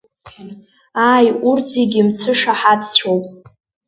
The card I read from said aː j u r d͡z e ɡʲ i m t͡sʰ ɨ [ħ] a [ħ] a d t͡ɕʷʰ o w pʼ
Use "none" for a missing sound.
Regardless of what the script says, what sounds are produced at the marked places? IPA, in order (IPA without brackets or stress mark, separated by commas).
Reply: ʂ, ħ